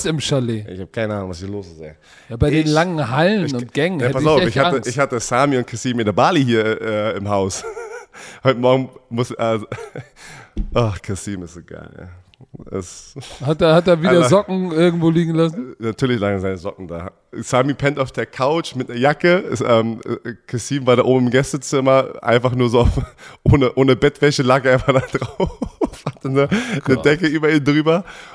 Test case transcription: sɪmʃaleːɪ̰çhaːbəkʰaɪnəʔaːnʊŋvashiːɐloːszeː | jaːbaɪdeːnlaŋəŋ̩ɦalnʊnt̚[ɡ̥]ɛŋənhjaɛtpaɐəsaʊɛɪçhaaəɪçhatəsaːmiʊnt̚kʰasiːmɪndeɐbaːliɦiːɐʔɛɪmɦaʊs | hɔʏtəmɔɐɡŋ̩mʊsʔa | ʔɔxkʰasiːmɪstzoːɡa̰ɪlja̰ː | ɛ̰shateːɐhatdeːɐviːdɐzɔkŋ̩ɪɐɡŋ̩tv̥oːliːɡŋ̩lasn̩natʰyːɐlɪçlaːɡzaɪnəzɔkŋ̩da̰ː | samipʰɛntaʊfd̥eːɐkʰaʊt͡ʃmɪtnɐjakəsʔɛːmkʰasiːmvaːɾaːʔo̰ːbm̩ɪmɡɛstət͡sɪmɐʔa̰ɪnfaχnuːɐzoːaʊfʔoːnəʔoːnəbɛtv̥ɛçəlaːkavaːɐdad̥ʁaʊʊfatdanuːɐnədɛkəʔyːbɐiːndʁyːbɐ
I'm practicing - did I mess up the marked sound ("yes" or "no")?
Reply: no